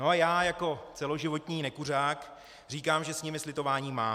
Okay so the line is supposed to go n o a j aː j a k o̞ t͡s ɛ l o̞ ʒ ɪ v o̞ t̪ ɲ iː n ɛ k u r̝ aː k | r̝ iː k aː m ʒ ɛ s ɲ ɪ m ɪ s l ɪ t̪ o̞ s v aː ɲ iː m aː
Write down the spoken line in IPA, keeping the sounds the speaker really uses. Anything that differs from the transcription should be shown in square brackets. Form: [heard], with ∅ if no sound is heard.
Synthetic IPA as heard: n o a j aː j a k o̞ t͡s ɛ l o̞ ʒ ɪ v o̞ t̪ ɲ iː n ɛ k u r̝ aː k | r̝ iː k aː m ʒ ɛ s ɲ ɪ m ɪ s l ɪ t̪ o̞ [∅] v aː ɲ iː m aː